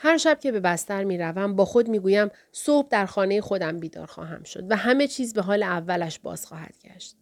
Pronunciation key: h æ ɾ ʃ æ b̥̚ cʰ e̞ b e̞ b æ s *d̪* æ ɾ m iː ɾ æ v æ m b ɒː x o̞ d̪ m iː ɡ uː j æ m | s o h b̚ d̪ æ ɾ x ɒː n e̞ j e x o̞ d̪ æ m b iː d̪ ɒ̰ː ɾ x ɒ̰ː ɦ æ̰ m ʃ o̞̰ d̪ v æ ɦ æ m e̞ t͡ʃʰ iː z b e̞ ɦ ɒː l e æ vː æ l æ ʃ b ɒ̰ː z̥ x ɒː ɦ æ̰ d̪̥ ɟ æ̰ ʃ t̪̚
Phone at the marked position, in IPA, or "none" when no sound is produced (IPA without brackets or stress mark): t̪